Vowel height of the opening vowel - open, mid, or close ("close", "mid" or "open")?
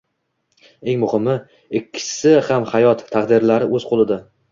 mid